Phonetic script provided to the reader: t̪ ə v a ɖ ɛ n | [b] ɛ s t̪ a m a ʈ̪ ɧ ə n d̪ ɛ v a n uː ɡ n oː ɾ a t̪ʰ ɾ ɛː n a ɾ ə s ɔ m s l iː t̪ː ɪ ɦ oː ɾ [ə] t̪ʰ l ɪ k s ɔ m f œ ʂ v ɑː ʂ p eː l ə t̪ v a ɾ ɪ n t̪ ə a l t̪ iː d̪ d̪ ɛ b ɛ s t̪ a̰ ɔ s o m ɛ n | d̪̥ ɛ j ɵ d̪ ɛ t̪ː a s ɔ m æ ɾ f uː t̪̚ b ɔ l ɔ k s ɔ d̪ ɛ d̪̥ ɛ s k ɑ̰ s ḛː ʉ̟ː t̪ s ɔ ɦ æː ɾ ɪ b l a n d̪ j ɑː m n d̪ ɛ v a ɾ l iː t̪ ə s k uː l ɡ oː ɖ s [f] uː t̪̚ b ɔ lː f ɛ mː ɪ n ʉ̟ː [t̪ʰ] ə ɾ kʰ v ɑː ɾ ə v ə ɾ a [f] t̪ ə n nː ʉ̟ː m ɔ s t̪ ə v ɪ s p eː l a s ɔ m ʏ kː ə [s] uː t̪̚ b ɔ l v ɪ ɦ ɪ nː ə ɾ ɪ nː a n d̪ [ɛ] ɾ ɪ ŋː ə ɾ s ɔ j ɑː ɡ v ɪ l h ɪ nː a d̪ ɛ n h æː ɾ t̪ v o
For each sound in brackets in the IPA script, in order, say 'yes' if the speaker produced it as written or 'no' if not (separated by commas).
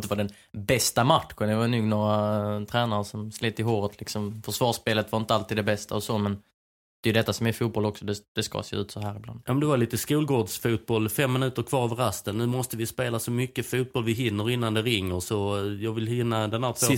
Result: yes, yes, yes, no, no, no, yes